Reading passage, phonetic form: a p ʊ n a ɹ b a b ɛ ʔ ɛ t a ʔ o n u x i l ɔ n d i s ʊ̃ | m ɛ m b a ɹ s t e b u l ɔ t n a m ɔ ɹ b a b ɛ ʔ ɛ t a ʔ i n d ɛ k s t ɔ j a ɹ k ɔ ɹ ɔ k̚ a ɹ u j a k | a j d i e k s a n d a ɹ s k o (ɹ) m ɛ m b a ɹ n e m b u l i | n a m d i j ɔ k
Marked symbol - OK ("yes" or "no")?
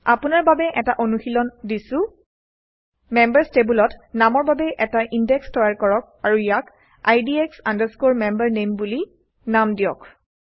yes